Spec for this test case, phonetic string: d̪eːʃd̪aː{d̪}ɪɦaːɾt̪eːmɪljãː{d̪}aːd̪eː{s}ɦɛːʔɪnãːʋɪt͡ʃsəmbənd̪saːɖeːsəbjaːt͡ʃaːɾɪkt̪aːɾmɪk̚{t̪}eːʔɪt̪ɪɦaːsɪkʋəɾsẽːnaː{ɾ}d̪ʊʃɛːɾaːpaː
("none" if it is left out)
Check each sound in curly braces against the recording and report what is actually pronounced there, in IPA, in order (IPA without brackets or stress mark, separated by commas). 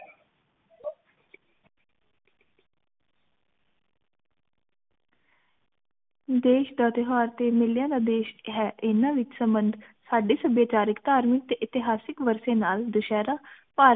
t̪, d̪, ʃ, t̪, l